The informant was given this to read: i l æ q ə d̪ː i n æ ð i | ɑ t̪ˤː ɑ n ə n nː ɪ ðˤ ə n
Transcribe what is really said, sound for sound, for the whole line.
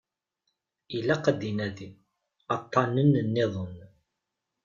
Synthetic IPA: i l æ q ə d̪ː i n æ ð i | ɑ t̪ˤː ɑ n ə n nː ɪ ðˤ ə n